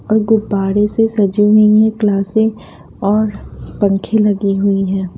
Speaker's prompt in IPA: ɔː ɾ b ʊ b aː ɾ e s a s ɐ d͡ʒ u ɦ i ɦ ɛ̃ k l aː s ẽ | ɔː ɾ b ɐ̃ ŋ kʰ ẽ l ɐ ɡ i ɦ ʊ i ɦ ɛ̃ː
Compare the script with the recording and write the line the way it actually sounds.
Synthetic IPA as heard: ɔː ɾ ɡ ʊ b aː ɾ e s e s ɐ d͡ʒ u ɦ i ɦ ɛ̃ k l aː s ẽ | ɔː ɾ p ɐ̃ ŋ kʰ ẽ l ɐ ɡ i ɦ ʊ i ɦ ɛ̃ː